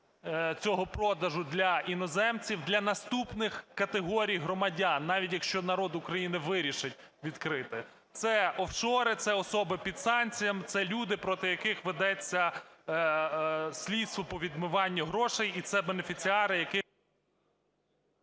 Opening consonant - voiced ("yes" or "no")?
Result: no